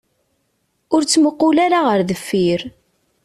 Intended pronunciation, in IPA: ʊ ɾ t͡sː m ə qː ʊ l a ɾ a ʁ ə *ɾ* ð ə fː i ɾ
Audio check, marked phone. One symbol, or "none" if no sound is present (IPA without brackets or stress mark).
ɾ